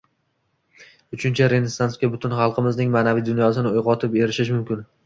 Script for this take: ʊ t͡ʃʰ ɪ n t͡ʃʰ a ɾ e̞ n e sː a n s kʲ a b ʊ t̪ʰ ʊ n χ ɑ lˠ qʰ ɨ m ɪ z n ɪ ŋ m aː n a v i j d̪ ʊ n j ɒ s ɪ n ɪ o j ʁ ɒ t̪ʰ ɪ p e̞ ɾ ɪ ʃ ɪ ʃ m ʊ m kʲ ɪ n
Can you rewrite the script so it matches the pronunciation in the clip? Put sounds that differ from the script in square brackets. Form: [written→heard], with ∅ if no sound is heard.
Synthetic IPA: ʊ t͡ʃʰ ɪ n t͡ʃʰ a ɾ e̞ n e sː a n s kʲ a b ʊ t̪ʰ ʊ n χ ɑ lˠ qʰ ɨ m ɪ z n ɪ ŋ m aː n a v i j d̪ ʊ n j ɒ s ɪ n ɪ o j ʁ ɒ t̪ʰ ɪ p e̞ ɾ ɪ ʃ ɪ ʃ m ʊ m kʲ ɪ n

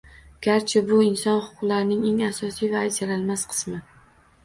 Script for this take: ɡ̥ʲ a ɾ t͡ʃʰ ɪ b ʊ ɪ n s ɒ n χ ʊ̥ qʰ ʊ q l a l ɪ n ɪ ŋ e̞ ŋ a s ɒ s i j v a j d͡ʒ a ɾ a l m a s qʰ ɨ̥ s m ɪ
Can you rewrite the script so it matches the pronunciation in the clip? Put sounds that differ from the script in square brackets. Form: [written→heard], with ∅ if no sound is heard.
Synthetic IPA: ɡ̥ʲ a ɾ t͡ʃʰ ɪ b ʊ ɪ n s ɒ n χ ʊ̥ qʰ ʊ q l a [l→ɾ] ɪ n ɪ ŋ e̞ ŋ a s ɒ s i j v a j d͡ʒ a ɾ a l m a s qʰ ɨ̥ s m ɪ

